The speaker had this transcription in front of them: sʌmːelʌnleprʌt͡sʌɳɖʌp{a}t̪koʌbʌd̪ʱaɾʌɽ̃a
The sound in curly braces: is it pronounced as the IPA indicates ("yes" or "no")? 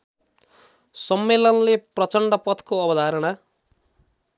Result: no